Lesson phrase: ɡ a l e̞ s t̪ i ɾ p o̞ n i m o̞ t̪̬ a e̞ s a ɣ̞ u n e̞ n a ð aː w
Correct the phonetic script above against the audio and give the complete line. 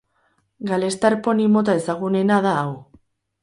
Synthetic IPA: ɡ a l e̞ s t̪ a ɾ p o̞ n i m o̞ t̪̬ a e̞ s a ɣ̞ u n e̞ n a ð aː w